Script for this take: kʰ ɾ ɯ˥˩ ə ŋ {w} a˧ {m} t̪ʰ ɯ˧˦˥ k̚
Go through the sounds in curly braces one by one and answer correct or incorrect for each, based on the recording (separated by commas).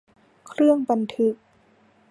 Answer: incorrect, incorrect